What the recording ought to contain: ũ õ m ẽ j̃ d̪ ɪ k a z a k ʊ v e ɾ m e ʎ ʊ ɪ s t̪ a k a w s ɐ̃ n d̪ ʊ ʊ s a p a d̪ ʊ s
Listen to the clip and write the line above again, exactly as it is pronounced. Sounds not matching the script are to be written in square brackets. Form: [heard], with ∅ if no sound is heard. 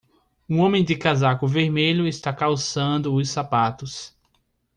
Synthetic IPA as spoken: ũ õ m ẽ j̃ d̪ ɪ k a z a k ʊ v e ɾ m e ʎ ʊ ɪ s t̪ a k a w s ɐ̃ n d̪ ʊ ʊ s a p a [t̪] ʊ s